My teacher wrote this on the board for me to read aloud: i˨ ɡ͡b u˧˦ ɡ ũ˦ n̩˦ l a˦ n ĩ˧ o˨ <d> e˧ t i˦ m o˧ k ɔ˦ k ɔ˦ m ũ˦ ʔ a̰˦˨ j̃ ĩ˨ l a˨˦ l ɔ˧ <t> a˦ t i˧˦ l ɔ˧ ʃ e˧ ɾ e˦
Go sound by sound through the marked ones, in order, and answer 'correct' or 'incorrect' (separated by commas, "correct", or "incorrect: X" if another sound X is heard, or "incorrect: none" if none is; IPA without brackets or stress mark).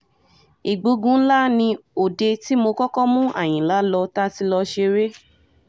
correct, correct